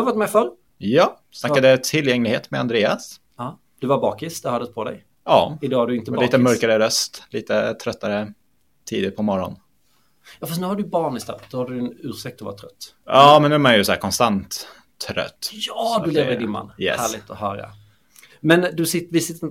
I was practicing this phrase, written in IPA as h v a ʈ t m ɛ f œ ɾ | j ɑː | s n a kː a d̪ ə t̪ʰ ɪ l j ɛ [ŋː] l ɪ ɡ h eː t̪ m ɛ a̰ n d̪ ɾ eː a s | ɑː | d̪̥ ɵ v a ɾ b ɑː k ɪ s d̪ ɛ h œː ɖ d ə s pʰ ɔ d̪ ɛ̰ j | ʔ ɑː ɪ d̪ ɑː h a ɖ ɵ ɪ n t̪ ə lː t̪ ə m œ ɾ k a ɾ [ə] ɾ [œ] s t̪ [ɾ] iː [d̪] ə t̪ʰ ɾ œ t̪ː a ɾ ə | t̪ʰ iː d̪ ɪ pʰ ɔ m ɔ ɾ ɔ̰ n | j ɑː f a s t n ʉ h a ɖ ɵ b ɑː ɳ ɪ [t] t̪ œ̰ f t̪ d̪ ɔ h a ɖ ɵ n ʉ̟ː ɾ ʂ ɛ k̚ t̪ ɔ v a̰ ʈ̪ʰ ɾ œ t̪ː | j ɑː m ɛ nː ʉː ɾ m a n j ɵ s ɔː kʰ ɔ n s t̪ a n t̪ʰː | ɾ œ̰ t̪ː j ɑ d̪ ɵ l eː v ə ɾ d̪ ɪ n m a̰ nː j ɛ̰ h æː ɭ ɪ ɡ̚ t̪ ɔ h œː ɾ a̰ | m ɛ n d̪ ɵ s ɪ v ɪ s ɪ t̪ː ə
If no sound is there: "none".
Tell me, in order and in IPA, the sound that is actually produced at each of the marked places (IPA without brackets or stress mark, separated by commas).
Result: ŋ, ə, œ, l, t̪, s